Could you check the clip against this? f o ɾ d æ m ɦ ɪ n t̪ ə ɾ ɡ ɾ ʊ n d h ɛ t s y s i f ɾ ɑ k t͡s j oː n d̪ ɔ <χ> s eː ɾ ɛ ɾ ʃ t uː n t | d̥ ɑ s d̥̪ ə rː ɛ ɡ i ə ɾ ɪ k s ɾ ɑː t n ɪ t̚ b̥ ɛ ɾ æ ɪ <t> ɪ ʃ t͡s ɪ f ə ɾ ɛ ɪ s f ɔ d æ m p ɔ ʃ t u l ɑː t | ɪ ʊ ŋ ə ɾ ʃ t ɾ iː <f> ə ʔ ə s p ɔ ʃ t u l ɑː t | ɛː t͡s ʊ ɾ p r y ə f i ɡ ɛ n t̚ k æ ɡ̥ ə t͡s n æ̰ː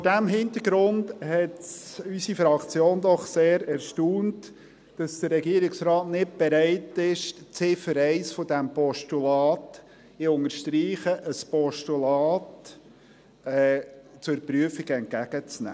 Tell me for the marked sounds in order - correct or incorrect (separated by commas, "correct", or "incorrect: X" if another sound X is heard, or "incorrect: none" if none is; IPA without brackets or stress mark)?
correct, correct, incorrect: χ